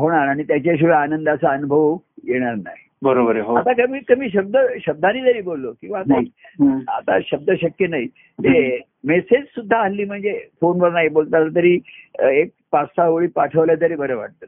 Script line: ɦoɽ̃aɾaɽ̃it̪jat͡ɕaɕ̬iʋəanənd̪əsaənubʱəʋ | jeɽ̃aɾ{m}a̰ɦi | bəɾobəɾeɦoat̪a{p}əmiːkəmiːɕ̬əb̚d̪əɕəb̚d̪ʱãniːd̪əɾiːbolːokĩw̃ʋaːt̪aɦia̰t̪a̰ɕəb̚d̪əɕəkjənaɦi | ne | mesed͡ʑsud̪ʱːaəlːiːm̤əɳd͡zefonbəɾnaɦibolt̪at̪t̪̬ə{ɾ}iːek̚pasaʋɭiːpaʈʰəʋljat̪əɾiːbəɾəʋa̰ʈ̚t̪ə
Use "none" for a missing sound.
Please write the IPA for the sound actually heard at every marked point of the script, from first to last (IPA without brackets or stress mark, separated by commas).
n, k, ɾ